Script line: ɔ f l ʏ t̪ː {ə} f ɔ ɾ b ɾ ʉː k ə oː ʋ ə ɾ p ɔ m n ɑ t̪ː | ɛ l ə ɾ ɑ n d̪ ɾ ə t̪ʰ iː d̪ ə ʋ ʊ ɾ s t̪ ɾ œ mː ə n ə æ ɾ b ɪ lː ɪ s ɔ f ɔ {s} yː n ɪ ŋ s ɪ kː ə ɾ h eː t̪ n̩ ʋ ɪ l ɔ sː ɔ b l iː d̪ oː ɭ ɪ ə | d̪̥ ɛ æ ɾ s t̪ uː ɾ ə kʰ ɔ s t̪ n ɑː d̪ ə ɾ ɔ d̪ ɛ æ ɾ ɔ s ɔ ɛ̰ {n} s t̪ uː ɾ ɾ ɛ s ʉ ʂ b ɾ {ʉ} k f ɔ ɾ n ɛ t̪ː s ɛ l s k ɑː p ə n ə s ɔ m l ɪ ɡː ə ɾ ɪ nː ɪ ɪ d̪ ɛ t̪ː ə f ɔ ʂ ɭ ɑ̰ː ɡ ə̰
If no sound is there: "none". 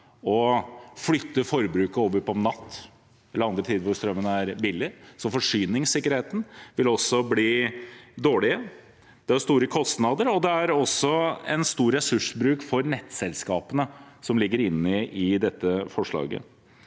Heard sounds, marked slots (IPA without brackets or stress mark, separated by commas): ə, ʂ, n, ʉː